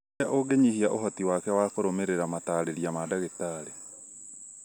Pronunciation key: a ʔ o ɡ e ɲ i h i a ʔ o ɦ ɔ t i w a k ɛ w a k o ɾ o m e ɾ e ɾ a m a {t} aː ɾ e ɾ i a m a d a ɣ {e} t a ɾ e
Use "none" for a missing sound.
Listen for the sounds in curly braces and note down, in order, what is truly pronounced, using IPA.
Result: t, e

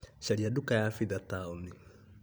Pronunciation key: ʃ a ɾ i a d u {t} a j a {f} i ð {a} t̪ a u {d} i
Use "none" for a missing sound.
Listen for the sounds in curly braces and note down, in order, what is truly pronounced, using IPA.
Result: k, f, a, n

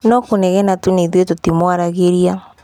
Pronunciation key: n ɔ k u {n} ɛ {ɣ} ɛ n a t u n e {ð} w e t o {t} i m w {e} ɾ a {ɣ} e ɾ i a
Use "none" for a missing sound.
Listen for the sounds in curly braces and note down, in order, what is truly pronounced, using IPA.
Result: n, ɣ, ð, t, a, ɣ

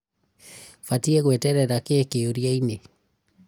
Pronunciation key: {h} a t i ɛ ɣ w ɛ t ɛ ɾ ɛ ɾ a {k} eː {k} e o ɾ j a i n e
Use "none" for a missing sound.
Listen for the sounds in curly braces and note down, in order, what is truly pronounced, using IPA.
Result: f, k, k

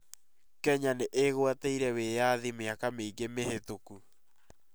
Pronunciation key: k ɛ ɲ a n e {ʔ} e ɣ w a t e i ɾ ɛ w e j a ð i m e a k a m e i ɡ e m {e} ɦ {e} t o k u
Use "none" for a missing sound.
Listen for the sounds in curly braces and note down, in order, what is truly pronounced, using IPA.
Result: ʔ, e, e

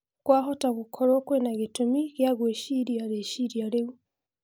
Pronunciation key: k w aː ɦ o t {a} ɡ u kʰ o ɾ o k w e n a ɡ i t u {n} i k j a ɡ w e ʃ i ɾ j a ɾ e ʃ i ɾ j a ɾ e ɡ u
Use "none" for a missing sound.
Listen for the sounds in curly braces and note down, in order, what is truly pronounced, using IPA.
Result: a, m

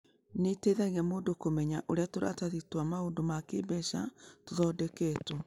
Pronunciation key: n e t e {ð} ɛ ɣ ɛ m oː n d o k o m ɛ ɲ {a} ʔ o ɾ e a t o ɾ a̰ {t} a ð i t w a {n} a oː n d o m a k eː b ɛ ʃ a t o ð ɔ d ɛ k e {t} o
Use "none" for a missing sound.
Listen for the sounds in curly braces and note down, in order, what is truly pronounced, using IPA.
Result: ð, a, t, m, t

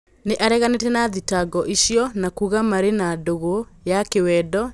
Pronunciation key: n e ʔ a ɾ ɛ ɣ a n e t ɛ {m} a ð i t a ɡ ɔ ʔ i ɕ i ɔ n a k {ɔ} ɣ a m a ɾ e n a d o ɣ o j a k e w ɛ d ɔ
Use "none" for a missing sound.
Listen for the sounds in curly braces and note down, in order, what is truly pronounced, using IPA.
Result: n, u

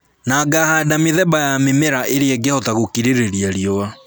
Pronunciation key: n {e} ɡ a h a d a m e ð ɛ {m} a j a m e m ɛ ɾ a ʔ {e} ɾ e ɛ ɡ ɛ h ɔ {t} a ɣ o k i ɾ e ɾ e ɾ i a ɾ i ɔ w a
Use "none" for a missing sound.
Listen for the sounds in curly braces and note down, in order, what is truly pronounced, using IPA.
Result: a, b, e, t

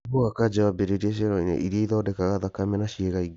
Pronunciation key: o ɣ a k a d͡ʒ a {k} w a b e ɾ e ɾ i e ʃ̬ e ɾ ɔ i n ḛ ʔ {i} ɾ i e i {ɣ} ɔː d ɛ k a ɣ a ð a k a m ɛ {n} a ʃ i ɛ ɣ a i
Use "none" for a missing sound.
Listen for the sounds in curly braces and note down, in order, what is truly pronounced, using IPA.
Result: none, i, ð, n

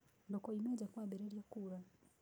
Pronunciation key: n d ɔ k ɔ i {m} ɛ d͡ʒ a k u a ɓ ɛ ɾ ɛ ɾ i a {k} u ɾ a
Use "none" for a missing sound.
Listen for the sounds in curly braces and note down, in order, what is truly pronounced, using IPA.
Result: m, k

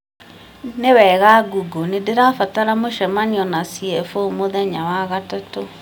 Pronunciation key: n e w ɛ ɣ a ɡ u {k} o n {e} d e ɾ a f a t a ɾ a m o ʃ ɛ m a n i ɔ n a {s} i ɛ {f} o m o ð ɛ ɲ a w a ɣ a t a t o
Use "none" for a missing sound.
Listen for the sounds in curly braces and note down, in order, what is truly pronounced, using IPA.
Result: ɡ, e, s, f

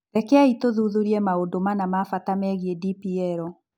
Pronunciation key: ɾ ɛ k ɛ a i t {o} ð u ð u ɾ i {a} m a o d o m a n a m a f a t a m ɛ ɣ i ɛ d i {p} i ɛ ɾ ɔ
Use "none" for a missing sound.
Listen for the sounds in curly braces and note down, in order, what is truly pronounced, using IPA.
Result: o, ɛ, p

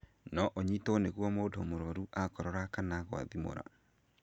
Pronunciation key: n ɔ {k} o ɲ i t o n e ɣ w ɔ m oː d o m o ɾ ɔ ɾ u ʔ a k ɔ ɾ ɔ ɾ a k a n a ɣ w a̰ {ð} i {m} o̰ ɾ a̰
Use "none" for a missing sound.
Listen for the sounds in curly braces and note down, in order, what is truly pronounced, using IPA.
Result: ʔ, ð, m

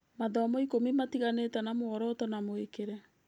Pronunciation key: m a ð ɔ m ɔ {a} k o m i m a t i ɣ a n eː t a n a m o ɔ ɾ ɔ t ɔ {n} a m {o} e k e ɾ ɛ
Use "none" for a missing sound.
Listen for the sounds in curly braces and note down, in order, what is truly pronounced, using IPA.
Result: i, n, o

